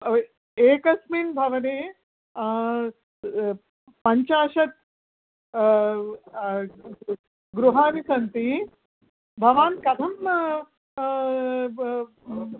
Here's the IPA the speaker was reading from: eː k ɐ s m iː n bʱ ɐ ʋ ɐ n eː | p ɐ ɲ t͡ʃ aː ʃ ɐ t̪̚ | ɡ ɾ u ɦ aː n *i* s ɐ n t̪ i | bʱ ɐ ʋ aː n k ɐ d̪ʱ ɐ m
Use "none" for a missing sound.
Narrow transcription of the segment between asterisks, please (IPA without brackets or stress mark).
i